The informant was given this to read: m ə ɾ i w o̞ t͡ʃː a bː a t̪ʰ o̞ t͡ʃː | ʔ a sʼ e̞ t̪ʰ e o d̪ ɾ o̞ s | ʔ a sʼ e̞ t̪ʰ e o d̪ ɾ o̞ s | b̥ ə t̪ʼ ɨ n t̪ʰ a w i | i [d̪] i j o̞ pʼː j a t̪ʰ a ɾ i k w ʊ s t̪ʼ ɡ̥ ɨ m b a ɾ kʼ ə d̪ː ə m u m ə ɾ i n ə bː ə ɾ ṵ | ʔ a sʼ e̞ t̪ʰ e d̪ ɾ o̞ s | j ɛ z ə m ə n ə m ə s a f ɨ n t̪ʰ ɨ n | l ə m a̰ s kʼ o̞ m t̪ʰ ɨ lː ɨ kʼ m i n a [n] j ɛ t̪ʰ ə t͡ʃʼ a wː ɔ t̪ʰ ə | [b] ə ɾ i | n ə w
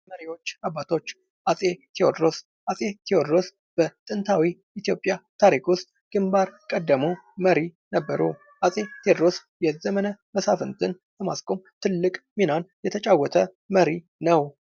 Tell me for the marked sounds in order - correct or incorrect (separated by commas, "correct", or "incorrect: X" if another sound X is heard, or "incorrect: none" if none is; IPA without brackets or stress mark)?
incorrect: t̪, correct, incorrect: m